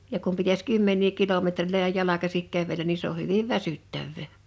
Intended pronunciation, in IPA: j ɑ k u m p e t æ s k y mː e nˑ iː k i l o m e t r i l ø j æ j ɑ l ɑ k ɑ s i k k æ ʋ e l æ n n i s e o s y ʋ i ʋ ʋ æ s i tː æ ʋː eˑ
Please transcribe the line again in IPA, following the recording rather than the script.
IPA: j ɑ k u m p i t æ s k y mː e nˑ iː k i l o m e t r i l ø j æ j ɑ l ɑ k ɑ s i k k æ ʋ e l æ n n i s e o h y ʋ i ʋ ʋ æ s y tː æ ʋː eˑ